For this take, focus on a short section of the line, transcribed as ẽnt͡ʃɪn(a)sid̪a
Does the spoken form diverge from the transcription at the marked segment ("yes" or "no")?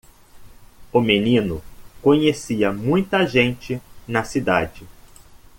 yes